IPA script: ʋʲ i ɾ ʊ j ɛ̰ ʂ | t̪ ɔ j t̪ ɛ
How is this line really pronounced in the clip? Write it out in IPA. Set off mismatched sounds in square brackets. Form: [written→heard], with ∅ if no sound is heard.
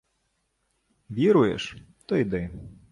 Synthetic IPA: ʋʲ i ɾ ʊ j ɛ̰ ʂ | t̪ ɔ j [t̪→d̪] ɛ